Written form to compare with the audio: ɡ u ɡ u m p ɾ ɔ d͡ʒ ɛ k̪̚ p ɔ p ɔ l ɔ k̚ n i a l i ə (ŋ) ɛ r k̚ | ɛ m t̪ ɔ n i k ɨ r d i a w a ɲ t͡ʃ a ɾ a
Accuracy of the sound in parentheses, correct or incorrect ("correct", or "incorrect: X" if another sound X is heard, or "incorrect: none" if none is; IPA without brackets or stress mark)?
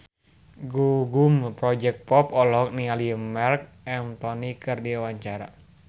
incorrect: m